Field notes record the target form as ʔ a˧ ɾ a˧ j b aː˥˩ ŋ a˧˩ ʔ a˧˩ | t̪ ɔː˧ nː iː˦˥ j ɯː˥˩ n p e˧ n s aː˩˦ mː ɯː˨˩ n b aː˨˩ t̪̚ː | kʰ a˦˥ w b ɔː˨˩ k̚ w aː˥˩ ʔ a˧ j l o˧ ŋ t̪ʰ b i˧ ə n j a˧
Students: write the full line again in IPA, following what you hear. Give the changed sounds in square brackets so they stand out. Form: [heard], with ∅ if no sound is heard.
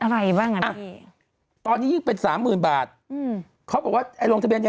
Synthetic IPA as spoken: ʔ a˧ ɾ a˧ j b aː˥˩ ŋ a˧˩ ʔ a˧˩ | t̪ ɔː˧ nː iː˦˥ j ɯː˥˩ [ŋ] p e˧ n s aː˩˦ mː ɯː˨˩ n b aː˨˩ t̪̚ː | kʰ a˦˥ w b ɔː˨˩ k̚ w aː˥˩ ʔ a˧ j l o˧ ŋ t̪ʰ b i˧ ə n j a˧